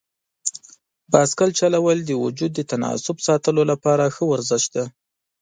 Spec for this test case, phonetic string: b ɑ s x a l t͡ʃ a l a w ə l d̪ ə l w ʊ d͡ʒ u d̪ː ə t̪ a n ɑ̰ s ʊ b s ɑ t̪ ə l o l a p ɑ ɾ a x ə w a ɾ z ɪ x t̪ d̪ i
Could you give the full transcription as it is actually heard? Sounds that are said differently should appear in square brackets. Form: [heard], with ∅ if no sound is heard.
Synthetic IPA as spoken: b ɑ s [k] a l t͡ʃ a l a w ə l d̪ ə [∅] w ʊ d͡ʒ u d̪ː ə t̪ a n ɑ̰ s ʊ b s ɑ t̪ ə l o l a p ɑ ɾ a x ə w a ɾ z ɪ [ʃ] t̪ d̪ [a]

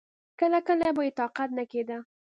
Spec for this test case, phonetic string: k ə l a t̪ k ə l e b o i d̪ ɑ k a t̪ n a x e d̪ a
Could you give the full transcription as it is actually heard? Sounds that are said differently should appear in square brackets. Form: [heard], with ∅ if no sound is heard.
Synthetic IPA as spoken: k ə l a [∅] k ə l [a] b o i [t̪] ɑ [q] a t̪ n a [k] e d̪ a

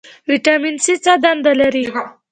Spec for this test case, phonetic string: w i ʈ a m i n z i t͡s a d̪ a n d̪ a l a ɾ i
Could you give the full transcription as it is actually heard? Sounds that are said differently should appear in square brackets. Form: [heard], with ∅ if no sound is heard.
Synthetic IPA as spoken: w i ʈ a m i n [s] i t͡s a d̪ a n d̪ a l a ɾ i

